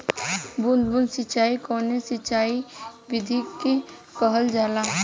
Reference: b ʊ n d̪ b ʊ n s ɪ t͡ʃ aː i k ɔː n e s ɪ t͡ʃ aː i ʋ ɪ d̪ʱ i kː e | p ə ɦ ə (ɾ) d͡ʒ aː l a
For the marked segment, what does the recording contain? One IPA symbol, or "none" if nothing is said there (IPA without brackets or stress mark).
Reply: l